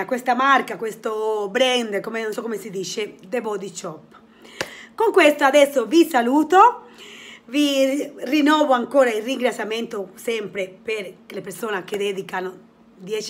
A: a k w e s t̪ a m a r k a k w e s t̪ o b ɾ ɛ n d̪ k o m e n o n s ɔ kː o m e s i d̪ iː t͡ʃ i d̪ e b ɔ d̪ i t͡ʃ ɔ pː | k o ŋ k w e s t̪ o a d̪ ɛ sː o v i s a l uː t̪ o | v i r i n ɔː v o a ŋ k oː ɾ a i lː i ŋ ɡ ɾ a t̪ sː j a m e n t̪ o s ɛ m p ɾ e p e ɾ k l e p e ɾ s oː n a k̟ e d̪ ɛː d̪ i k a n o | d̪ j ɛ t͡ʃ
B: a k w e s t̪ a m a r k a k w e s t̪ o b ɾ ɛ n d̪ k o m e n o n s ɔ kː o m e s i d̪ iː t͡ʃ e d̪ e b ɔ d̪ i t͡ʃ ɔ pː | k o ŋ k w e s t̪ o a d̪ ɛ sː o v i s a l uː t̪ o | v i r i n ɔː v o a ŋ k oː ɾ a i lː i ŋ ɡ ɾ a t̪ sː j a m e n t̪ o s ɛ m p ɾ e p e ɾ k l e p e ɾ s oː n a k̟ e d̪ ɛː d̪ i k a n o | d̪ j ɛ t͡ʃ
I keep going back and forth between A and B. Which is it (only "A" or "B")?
B